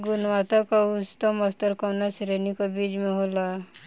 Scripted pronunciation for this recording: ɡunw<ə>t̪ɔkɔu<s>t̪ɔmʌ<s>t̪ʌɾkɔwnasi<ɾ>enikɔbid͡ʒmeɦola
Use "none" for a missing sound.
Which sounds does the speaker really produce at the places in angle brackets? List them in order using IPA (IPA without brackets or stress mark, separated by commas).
a, s, s, ɾ